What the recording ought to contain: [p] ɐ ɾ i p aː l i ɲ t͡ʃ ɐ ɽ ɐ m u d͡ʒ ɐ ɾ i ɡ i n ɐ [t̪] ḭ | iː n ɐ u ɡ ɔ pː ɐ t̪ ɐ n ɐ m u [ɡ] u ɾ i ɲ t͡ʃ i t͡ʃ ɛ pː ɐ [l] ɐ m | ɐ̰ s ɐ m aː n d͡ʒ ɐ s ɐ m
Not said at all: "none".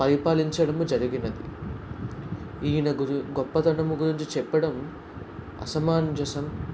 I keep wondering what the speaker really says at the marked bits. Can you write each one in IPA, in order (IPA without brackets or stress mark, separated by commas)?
p, d̪, ɡ, ɽ